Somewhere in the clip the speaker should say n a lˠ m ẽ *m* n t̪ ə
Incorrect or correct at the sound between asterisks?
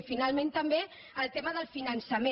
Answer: incorrect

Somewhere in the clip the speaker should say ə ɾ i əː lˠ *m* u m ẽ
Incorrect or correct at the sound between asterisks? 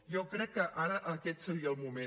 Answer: correct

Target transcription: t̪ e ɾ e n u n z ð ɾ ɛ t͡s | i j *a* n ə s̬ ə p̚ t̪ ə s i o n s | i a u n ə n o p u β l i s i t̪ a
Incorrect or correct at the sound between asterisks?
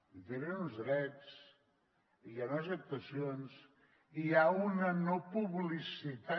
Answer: correct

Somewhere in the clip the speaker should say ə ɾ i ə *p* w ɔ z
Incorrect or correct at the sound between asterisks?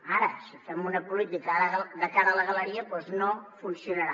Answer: correct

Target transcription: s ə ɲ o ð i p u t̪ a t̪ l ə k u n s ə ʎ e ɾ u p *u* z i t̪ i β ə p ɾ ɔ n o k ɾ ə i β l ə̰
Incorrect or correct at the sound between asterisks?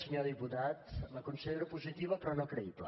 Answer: correct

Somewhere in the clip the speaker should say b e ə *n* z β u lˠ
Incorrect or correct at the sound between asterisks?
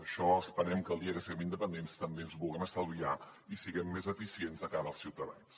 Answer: correct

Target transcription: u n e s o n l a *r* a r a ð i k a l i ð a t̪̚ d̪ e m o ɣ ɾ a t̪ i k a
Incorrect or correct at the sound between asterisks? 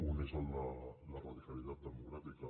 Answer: incorrect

